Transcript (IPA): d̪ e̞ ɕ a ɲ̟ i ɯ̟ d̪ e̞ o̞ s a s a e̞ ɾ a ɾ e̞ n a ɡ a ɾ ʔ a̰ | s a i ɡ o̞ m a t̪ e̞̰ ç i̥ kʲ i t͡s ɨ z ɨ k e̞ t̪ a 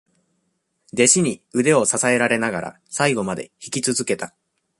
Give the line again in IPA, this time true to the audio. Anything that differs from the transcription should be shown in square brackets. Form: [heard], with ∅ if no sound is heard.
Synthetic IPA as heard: d̪ e̞ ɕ [i] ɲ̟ i ɯ̟ d̪ e̞ o̞ s a s a e̞ ɾ a ɾ e̞ n a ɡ a ɾ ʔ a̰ | s a i ɡ o̞ m a [d̪] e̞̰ ç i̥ kʲ i t͡s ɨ z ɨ k e̞ t̪ a